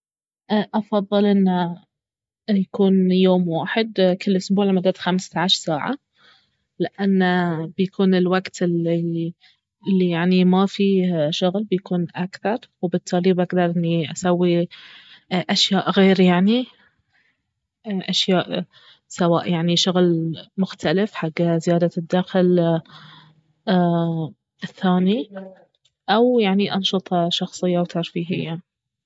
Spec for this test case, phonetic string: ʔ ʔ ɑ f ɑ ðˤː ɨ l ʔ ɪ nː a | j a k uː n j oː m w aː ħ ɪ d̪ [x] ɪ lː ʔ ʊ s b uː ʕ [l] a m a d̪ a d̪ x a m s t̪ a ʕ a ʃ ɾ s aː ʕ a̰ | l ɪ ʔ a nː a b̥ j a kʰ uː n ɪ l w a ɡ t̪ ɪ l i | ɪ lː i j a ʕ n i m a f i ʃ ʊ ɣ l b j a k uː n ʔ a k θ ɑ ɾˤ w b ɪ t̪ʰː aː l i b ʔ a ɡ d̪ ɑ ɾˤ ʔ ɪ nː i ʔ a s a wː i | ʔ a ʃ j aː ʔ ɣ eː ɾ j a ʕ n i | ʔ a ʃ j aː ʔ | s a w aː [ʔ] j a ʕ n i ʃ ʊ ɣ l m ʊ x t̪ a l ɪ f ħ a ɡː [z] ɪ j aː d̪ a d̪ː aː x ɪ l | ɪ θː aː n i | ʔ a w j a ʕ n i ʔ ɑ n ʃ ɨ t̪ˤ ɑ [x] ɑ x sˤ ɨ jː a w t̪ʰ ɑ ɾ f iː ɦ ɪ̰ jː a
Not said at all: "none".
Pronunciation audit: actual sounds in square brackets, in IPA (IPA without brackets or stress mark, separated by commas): k, l, ʔ, z, ʃ